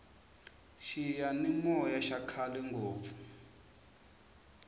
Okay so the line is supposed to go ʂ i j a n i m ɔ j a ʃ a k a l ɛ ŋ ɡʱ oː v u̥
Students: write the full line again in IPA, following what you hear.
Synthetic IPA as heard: ʃ i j a n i m ɔ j a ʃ a kʰ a l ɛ ŋ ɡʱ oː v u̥